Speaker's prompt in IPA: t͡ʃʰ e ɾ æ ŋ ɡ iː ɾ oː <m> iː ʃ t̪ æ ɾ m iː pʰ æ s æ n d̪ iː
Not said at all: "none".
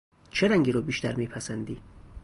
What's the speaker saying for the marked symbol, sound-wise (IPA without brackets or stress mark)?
b